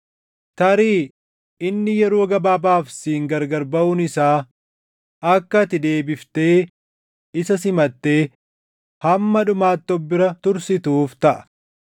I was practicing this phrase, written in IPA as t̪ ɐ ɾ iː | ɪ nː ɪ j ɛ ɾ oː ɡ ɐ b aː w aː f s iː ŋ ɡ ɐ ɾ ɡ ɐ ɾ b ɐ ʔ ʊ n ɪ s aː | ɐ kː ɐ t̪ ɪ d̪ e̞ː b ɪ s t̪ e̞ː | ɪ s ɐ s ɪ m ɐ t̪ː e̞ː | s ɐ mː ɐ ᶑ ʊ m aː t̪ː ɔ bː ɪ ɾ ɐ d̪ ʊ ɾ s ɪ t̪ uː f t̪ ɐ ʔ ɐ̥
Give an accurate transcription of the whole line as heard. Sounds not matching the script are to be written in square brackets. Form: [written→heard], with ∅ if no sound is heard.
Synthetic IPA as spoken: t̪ ɐ ɾ iː | ɪ nː ɪ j ɛ ɾ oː ɡ ɐ b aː [w→b] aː f s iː ŋ ɡ ɐ ɾ ɡ ɐ ɾ b ɐ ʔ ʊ n ɪ s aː | ɐ kː ɐ t̪ ɪ d̪ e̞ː b ɪ [s→f] t̪ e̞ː | ɪ s ɐ s ɪ m ɐ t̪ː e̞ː | [s→h] ɐ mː ɐ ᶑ ʊ m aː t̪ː ɔ bː ɪ ɾ ɐ [d̪→t̪] ʊ ɾ s ɪ t̪ uː f t̪ ɐ ʔ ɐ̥